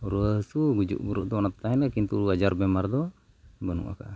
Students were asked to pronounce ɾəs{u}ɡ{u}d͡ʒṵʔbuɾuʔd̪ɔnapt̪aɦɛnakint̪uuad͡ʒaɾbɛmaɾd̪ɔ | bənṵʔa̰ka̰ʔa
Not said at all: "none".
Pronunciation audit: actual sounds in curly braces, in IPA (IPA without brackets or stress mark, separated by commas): u, u